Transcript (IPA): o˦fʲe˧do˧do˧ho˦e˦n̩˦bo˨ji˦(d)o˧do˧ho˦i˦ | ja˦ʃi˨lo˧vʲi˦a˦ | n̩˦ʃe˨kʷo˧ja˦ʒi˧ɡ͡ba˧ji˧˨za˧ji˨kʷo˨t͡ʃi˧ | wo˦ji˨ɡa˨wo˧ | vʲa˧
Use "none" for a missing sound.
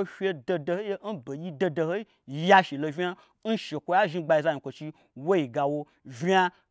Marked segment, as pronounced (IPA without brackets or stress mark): d